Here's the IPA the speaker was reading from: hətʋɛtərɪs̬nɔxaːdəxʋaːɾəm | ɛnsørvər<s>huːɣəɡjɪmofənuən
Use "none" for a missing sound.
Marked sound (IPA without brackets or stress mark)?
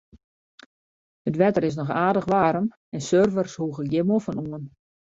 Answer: s